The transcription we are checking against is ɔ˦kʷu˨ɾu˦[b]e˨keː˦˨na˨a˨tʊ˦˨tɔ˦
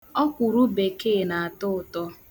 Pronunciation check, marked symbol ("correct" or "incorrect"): correct